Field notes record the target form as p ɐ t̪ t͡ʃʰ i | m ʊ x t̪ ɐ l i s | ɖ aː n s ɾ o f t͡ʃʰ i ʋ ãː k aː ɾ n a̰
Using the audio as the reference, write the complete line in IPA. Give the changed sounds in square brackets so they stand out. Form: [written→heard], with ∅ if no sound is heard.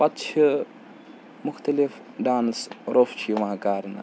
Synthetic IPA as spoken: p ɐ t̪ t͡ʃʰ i | m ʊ x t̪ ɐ l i [s→f] | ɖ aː n s ɾ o f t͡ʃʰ i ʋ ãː k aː ɾ n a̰